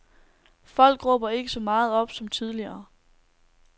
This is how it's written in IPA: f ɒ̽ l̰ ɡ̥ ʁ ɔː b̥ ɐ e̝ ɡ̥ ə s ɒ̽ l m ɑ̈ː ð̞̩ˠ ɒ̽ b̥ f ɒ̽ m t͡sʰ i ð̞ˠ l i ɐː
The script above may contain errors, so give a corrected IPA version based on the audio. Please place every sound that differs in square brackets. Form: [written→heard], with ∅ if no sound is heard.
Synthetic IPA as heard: f ɒ̽ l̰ ɡ̥ ʁ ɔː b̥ ɐ e̝ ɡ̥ ə s ɒ̽ [l→∅] m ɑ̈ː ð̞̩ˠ ɒ̽ b̥ [f→s] ɒ̽ m t͡sʰ i ð̞ˠ l i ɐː